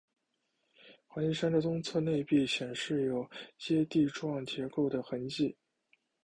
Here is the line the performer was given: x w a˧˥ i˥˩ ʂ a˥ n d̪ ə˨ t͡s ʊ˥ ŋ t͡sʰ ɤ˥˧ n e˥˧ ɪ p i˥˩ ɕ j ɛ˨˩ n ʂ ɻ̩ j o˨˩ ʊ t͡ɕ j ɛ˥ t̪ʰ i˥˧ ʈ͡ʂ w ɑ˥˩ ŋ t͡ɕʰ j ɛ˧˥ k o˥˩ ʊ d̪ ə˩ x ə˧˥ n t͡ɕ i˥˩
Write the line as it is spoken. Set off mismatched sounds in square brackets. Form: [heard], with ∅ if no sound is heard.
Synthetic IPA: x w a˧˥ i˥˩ ʂ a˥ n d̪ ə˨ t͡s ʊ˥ ŋ t͡sʰ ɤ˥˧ n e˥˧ ɪ p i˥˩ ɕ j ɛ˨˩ n ʂ ɻ̩ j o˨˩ ʊ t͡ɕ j ɛ˥ [t̪] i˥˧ ʈ͡ʂ w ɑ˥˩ ŋ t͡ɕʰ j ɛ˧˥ k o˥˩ ʊ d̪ ə˩ x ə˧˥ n t͡ɕ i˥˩